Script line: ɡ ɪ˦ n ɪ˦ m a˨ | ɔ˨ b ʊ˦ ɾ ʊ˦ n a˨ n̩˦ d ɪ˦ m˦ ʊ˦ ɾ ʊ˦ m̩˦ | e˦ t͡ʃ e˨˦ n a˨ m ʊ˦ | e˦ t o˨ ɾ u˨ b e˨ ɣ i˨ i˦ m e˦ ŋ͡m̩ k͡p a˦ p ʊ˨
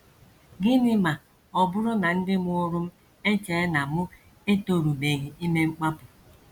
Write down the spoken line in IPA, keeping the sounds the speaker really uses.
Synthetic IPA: ɡ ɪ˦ n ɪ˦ m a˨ | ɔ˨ b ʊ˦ ɾ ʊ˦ n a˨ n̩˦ d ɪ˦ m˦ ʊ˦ ɾ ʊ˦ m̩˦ | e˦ t͡ʃ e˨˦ n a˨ m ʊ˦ | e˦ t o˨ ɾ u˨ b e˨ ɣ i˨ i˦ m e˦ ŋ͡m̩ k͡p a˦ p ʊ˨